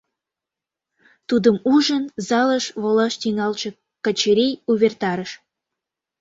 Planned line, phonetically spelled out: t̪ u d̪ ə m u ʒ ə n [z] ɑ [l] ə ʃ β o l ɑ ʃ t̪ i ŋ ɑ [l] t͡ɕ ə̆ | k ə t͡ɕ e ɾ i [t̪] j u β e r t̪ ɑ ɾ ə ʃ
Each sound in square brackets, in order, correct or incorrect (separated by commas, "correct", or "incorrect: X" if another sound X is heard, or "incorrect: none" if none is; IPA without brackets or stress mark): correct, correct, correct, incorrect: none